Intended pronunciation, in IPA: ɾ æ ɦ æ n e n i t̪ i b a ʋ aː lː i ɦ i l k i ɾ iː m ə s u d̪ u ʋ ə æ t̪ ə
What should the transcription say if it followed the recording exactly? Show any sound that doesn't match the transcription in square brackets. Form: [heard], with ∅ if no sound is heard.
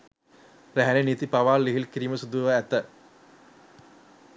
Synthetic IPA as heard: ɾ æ ɦ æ n e n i t̪ i [p] a ʋ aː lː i ɦ i l k i ɾ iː m ə s u d̪ u ʋ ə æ t̪ ə